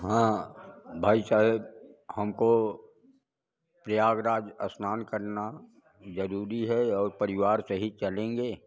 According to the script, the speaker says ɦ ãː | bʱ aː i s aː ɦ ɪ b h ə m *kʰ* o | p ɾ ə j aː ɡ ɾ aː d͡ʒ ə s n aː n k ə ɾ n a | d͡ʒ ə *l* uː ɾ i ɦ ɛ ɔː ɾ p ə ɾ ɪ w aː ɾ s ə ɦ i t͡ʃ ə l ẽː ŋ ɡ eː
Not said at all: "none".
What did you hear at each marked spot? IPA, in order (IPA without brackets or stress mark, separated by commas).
k, ɾ